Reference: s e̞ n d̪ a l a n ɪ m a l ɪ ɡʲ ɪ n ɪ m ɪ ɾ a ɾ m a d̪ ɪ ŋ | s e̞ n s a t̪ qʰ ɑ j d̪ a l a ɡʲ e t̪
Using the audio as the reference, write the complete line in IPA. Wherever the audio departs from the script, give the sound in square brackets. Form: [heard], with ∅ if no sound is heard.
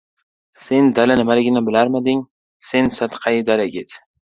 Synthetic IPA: s e̞ n d̪ a l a n ɪ m a l ɪ ɡʲ ɪ n ɪ [b] ɪ [l] a ɾ m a d̪ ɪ ŋ | s e̞ n s a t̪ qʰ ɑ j d̪ a l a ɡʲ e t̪